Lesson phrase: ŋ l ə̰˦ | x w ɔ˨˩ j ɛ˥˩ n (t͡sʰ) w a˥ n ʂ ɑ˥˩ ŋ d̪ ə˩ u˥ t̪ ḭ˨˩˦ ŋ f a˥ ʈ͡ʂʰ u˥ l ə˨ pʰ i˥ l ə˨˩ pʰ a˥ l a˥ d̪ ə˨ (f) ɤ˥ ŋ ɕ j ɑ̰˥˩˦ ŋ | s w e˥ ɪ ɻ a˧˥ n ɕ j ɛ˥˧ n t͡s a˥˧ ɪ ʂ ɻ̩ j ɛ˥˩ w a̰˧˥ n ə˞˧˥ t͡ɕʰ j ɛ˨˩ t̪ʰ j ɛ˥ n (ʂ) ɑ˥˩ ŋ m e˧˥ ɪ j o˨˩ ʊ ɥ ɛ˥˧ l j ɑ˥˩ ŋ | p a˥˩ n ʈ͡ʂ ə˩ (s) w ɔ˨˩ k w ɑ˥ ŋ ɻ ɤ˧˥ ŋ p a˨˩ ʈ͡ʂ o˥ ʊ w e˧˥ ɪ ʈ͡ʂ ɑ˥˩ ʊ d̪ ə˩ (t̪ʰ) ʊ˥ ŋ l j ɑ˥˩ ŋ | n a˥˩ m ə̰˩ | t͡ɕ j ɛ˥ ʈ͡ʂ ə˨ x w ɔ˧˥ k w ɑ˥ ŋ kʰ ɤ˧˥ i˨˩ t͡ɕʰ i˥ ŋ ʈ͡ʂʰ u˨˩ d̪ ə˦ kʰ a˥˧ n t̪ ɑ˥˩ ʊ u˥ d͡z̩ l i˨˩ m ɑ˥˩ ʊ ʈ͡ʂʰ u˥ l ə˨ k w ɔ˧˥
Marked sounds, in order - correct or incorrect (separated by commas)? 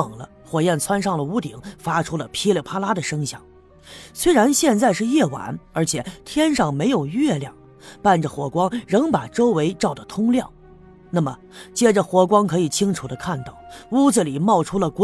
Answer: correct, incorrect, correct, incorrect, correct